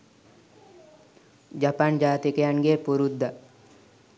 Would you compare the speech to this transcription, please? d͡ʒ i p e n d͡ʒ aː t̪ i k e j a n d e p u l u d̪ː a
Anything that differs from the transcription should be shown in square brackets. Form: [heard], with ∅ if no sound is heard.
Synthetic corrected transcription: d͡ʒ [a] p [a] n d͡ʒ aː t̪ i k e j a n [ɡ] e p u [ɾ] u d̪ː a